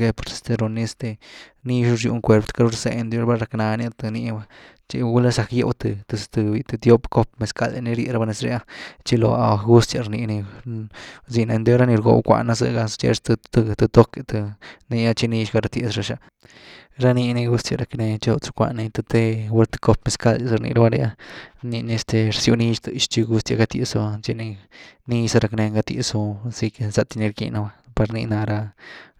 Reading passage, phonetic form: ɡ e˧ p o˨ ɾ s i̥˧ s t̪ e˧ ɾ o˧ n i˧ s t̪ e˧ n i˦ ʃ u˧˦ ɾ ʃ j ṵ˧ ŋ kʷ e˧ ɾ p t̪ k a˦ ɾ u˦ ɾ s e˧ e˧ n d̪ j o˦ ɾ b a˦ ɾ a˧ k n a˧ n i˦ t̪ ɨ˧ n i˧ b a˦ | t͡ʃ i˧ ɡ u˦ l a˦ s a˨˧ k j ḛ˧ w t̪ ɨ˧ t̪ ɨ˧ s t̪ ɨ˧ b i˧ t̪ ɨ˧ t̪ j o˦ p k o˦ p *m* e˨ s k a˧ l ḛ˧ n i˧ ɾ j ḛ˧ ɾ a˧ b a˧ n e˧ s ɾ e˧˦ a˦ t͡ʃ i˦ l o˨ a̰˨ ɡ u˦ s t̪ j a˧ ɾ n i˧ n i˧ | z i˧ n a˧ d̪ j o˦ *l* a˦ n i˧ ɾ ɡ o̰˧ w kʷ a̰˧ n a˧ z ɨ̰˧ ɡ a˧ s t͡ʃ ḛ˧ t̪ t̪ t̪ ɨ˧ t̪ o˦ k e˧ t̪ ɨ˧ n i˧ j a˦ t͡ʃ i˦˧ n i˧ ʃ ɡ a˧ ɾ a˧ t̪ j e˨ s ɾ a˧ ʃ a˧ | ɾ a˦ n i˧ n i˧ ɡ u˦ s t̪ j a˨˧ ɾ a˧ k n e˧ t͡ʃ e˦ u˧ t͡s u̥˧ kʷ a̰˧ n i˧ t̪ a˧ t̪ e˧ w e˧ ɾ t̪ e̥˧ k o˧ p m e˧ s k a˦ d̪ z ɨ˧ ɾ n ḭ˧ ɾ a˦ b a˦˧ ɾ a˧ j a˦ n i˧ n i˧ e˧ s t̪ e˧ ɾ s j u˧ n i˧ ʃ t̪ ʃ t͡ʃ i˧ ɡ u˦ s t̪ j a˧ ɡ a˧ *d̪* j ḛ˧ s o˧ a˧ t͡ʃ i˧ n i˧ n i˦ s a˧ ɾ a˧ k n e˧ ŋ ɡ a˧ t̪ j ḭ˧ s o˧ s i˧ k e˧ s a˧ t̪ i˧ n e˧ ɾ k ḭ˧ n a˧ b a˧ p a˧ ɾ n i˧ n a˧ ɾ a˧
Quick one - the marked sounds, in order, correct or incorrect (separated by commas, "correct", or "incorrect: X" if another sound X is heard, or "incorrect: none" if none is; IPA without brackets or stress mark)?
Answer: correct, incorrect: ɾ, incorrect: t̪